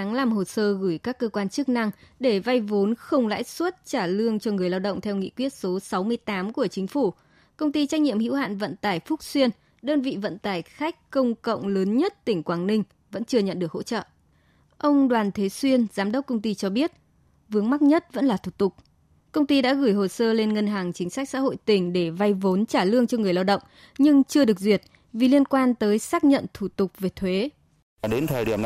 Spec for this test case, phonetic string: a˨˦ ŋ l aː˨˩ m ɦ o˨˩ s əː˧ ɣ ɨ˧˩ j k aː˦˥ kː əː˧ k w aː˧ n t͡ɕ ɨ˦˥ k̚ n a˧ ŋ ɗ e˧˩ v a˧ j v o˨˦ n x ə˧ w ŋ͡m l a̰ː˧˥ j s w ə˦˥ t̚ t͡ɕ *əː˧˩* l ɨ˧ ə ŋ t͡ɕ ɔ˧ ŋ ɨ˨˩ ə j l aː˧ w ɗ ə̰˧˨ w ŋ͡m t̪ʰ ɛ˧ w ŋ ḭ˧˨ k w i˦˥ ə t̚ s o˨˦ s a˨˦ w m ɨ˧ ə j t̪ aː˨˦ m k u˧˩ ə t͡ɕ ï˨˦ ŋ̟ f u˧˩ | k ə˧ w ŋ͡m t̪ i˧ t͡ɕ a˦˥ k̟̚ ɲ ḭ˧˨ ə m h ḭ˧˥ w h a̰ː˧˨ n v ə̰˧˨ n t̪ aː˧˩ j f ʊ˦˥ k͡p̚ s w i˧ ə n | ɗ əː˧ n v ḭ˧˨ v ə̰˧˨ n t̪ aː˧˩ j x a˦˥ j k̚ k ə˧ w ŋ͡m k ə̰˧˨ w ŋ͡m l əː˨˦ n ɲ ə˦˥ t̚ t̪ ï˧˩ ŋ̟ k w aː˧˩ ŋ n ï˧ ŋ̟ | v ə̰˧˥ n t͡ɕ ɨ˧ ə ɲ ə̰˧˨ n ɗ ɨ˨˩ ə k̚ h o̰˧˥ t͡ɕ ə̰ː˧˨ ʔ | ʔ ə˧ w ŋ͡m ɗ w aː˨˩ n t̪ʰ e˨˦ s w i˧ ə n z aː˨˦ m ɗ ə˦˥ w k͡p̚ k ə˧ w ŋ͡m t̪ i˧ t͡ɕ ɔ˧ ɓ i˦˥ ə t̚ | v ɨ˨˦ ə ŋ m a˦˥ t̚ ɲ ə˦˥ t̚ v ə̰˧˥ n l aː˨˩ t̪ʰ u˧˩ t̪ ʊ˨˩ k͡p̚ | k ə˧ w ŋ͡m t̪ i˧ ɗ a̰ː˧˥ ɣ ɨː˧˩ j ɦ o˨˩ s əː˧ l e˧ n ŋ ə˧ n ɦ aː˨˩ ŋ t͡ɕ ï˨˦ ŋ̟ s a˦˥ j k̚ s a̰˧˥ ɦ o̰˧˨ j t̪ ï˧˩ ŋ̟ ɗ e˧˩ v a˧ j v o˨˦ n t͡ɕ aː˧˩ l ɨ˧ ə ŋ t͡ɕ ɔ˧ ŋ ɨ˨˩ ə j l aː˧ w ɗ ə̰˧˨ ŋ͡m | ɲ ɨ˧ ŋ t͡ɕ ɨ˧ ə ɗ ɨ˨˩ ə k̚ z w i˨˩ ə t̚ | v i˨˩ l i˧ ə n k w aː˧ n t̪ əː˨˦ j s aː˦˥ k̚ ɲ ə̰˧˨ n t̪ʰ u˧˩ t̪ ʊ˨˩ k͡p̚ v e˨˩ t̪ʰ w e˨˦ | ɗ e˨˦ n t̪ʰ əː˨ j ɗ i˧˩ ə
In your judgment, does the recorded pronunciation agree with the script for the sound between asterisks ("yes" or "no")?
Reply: no